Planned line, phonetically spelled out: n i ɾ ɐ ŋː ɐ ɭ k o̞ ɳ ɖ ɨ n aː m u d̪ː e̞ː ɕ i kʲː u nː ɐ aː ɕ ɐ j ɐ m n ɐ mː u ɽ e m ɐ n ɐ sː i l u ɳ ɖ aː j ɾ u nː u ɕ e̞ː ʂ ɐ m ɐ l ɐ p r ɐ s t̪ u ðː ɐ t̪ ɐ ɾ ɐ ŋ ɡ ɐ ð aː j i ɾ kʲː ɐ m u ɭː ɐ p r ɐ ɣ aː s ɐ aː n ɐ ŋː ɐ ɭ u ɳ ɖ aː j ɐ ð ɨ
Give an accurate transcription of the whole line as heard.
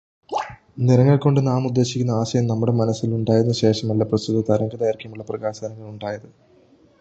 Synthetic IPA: n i ɾ ɐ ŋː ɐ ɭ k o̞ ɳ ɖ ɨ n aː m u d̪ː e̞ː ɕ i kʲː u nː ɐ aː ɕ ɐ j ɐ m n ɐ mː u ɽ e m ɐ n ɐ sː i l u ɳ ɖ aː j ɾ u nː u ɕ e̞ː ʂ ɐ m ɐ lː ɐ p r ɐ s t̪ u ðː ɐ t̪ ɐ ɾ ɐ ŋ ɡ ɐ ð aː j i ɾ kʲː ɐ m u ɭː ɐ p r ɐ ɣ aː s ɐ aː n ɐ ŋː ɐ ɭ u ɳ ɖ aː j ɐ ð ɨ